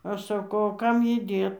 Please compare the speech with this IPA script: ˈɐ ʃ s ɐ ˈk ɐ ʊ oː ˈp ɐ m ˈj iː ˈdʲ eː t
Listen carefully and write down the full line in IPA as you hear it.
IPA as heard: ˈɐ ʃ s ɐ ˈk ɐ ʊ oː ˈk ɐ m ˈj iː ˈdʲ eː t